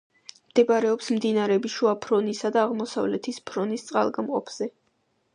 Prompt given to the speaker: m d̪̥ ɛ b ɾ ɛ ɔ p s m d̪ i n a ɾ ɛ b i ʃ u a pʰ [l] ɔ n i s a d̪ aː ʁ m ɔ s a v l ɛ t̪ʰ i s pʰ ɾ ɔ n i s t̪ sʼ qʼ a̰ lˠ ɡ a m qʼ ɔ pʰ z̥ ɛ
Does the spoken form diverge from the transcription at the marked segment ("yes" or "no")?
yes